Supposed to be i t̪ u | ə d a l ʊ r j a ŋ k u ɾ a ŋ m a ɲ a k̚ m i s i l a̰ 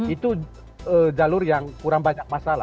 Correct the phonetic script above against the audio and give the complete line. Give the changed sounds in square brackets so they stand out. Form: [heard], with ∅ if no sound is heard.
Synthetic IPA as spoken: i t̪ u | ə [d͡ʒ] a l ʊ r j a ŋ k u ɾ a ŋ [b] a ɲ a k̚ m [a] s [a] l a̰